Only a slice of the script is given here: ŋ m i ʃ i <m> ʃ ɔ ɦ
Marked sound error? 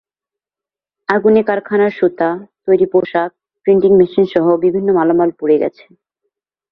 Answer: yes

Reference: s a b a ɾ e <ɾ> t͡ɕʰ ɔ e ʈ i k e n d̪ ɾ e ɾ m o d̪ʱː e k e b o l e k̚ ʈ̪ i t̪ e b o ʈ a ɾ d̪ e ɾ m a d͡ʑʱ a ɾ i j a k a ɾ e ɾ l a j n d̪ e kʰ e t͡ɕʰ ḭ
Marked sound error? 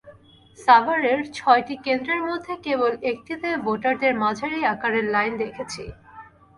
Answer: no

